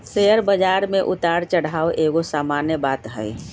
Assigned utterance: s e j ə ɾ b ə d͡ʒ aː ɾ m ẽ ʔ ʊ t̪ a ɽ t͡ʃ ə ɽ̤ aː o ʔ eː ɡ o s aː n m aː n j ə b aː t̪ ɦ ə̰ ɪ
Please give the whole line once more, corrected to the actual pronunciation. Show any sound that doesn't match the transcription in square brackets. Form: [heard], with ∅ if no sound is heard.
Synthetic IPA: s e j ə ɾ b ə d͡ʒ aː ɾ m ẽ ʔ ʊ t̪ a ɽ t͡ʃ ə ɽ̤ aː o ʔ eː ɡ o s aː [∅] m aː n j ə b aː t̪ ɦ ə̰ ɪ